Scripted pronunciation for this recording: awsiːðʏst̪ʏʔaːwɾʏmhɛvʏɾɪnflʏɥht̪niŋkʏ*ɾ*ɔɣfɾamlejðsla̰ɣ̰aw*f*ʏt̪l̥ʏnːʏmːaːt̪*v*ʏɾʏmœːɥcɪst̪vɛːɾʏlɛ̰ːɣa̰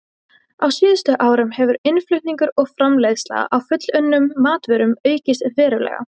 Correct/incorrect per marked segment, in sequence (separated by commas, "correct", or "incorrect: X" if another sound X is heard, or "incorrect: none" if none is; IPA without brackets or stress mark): correct, correct, correct